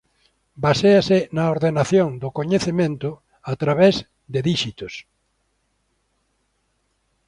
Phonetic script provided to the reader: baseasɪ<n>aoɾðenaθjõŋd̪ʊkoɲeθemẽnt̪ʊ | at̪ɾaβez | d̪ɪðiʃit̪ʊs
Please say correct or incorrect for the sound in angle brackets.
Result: correct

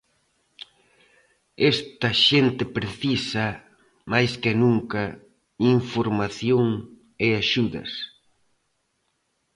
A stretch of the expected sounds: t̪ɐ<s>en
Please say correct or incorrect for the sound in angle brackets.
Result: incorrect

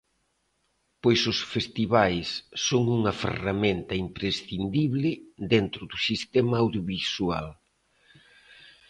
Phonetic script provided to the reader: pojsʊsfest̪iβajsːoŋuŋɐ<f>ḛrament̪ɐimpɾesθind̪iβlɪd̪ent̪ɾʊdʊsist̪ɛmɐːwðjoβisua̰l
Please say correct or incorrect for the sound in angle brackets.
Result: correct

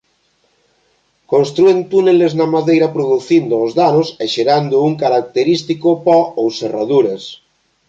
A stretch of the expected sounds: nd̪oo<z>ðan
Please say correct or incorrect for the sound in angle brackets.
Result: correct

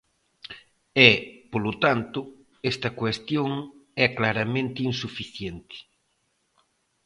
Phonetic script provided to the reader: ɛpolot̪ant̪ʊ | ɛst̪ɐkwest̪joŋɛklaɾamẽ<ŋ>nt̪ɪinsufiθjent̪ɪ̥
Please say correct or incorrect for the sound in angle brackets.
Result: incorrect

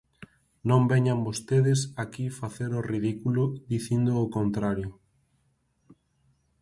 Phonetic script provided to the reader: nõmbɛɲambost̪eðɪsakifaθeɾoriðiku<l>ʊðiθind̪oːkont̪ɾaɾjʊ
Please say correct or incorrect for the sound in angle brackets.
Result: correct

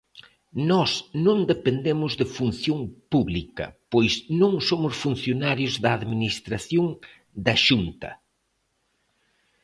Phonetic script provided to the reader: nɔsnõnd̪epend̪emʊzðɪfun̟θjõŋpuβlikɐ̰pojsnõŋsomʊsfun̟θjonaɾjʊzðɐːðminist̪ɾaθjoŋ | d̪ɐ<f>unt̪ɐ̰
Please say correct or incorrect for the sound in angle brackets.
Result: incorrect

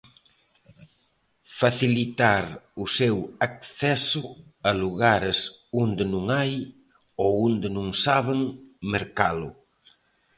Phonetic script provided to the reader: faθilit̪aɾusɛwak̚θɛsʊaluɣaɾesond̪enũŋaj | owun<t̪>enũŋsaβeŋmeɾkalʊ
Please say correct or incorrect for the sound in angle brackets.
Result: incorrect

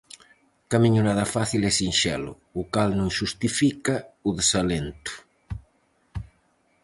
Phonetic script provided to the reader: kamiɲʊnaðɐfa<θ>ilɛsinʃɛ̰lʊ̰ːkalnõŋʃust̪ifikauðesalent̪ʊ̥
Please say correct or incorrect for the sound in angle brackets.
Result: correct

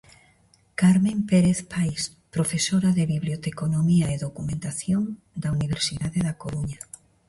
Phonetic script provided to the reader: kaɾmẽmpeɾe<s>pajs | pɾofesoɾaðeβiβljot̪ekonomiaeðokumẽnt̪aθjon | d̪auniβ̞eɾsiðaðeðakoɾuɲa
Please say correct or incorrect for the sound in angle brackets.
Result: incorrect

